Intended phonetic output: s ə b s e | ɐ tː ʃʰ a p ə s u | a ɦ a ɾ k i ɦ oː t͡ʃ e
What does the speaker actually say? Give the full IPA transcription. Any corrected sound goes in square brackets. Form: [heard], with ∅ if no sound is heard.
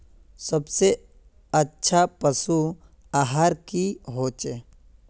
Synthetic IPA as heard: s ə b s e | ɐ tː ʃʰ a p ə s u | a ɦ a ɾ k i ɦ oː t͡ʃ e